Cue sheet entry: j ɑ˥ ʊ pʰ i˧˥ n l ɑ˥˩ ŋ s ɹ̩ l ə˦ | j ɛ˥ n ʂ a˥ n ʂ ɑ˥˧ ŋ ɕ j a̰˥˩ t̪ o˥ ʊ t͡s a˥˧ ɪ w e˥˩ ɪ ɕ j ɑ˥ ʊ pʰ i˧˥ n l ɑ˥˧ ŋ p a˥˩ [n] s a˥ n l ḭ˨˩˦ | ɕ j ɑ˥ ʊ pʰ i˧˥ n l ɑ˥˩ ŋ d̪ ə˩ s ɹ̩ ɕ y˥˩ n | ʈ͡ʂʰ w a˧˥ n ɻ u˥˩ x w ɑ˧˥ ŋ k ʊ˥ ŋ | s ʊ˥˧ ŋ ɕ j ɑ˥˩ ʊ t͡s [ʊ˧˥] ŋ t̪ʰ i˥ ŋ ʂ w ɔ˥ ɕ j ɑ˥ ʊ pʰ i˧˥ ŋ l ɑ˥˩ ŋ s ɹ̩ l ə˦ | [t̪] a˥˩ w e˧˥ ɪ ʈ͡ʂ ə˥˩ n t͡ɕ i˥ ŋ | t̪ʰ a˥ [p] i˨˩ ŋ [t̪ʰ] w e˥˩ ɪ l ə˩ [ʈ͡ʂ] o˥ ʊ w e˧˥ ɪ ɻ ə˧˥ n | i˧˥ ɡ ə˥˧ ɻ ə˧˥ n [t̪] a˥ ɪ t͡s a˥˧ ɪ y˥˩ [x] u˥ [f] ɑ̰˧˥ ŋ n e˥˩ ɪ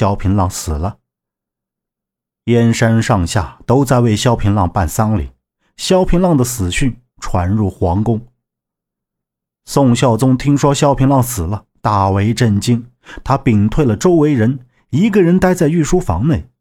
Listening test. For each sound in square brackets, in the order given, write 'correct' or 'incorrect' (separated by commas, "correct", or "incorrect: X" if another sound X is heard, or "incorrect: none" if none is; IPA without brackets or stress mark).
correct, incorrect: ʊ˥, correct, correct, correct, correct, correct, incorrect: ʂ, correct